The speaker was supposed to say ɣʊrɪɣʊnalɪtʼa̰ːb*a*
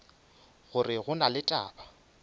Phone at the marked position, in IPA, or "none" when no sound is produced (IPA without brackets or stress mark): a